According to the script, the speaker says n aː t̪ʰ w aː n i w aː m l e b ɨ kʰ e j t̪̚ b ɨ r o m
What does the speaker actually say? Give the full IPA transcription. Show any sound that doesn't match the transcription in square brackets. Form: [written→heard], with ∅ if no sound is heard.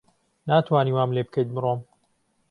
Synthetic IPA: n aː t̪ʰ w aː n i w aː m l e b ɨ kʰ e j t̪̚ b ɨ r o m

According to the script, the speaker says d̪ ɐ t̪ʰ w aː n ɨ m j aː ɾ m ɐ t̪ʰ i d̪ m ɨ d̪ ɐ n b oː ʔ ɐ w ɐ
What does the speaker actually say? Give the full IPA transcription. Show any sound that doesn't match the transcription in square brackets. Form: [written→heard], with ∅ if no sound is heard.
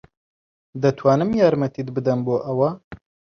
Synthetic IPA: d̪ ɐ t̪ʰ w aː n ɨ m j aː ɾ m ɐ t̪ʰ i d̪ [m→b] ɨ d̪ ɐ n b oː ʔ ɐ w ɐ

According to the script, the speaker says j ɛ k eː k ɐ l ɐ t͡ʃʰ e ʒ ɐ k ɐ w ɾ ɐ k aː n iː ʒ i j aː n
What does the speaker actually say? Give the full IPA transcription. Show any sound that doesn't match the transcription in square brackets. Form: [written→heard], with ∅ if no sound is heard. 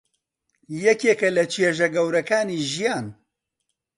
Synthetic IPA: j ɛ k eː k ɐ l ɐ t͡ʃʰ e ʒ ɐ [k→ɡ] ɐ w ɾ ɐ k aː n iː ʒ i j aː n

